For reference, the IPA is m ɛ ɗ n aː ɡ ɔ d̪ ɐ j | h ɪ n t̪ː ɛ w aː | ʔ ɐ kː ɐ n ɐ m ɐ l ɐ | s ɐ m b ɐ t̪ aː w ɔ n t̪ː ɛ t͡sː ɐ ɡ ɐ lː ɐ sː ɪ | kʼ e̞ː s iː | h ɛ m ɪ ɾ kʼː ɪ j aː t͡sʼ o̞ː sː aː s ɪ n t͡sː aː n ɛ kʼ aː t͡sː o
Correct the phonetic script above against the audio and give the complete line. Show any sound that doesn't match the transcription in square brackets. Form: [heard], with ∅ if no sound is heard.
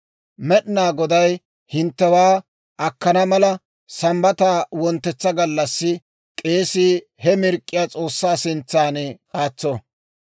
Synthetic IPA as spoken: m ɛ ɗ n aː ɡ ɔ d̪ ɐ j | h ɪ n t̪ː ɛ w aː | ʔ ɐ kː ɐ n ɐ m ɐ l ɐ | s ɐ m b ɐ t̪ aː w ɔ n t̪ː ɛ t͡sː ɐ ɡ ɐ lː ɐ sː ɪ | kʼ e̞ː s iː | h ɛ m ɪ ɾ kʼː ɪ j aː t͡sʼ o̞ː sː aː s ɪ n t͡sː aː n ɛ kʼ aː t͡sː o